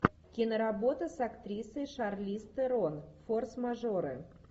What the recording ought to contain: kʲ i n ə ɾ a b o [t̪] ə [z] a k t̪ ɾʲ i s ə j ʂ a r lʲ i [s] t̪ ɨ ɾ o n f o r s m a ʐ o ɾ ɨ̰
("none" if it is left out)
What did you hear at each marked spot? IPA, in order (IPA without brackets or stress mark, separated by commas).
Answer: t̪, s, s